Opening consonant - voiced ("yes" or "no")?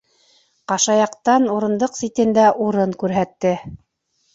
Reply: no